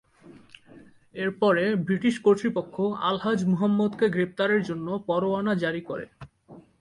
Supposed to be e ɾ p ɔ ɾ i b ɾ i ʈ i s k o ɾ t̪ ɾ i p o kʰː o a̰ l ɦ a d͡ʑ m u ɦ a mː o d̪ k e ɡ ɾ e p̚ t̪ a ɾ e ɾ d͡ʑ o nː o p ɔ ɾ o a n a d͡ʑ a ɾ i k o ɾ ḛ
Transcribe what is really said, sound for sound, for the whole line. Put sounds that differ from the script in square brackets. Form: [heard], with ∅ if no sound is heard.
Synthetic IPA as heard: e ɾ p ɔ ɾ [e] b ɾ i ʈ i [ʃ] k o ɾ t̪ ɾ i p o kʰː o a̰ l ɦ a d͡ʑ m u ɦ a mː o d̪ k e ɡ ɾ e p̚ t̪ a ɾ e ɾ d͡ʑ o nː o p ɔ ɾ o a n a d͡ʑ a ɾ i k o ɾ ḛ